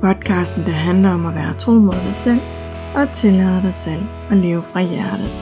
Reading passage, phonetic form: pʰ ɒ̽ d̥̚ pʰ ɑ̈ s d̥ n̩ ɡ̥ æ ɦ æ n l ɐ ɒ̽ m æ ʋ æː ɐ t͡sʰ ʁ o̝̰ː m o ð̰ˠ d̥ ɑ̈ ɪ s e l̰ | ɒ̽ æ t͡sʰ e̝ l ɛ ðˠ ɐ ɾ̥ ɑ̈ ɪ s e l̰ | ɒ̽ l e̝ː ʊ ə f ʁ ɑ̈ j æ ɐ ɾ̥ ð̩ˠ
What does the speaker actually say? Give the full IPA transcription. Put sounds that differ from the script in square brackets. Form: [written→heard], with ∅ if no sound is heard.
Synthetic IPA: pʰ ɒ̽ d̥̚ [pʰ→kʰ] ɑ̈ s d̥ n̩ [ɡ̥→d̥] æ ɦ æ n l ɐ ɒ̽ m æ ʋ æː ɐ t͡sʰ ʁ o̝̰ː m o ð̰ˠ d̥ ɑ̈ ɪ s e l̰ | ɒ̽ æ t͡sʰ e̝ l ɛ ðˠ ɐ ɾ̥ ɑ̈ ɪ s e l̰ | ɒ̽ l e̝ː ʊ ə f ʁ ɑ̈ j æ ɐ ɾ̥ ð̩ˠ